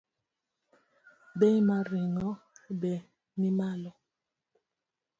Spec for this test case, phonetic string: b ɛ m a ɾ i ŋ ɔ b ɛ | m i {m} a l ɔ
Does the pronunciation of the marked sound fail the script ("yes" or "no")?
no